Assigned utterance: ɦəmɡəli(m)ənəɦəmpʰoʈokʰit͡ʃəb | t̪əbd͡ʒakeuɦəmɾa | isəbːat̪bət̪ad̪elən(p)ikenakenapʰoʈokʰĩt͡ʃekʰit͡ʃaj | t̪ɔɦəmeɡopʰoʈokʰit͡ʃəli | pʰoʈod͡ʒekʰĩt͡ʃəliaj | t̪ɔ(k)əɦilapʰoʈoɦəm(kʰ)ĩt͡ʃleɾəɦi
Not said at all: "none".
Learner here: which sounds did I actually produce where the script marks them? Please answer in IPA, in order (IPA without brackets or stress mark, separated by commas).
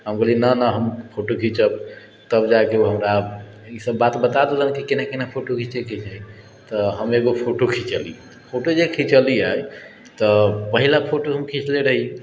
n, k, p, kʰ